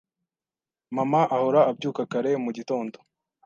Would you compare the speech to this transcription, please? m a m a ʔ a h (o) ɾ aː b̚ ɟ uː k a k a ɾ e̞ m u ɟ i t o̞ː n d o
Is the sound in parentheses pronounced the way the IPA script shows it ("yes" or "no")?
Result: yes